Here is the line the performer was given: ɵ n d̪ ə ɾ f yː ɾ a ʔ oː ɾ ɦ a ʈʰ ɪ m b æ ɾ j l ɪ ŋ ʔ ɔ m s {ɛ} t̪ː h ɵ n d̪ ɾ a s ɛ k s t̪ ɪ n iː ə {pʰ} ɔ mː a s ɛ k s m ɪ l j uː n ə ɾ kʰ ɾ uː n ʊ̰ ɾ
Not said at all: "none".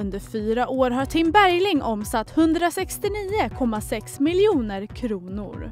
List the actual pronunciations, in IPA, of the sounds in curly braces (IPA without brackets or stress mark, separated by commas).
a, kʰ